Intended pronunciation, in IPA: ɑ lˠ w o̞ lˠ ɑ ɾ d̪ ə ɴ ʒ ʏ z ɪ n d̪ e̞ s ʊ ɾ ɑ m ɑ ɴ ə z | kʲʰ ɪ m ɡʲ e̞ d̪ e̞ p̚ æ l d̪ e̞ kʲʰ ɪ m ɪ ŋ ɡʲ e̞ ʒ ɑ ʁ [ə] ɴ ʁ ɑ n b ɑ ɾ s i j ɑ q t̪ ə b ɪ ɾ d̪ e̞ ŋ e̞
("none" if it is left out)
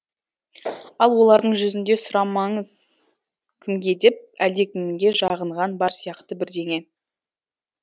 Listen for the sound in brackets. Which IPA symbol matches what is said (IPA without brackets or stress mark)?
ə